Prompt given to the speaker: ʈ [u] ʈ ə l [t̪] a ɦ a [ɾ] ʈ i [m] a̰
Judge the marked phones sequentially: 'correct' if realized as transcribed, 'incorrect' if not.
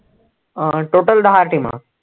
incorrect, incorrect, correct, correct

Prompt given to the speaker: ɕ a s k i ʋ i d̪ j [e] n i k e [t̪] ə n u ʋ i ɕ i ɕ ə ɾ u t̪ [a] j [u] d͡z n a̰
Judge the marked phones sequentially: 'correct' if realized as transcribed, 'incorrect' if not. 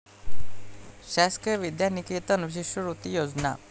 incorrect, correct, incorrect, incorrect

